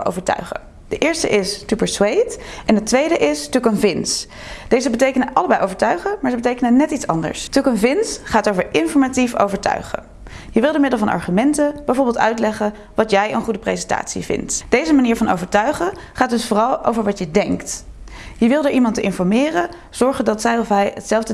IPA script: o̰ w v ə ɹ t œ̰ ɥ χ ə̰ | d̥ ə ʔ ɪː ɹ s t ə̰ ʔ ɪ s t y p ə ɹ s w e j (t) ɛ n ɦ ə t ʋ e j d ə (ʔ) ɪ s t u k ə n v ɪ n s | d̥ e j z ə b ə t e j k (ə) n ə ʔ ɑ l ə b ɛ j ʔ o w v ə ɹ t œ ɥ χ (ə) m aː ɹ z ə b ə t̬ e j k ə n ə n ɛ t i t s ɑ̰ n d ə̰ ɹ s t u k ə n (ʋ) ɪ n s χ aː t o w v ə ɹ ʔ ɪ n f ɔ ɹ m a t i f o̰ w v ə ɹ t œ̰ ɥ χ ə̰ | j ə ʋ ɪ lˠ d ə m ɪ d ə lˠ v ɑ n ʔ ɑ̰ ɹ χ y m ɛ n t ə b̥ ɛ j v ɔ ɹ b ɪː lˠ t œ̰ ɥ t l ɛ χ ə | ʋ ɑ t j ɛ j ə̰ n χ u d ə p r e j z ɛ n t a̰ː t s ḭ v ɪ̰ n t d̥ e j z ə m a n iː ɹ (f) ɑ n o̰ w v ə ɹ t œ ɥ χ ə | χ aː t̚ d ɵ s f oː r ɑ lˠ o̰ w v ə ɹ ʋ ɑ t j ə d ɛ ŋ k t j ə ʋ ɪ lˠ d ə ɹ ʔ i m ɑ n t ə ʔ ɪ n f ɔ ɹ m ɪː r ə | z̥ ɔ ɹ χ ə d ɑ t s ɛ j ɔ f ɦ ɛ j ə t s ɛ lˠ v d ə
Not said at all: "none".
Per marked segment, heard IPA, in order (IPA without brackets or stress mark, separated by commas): t, ʔ, ə, ə, v, v